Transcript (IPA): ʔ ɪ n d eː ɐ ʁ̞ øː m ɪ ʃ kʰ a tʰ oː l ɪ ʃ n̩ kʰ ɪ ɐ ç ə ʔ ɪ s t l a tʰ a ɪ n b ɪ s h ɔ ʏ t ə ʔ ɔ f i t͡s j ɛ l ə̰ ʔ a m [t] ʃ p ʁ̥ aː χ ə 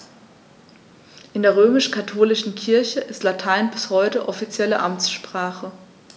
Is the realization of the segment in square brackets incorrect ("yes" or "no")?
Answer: yes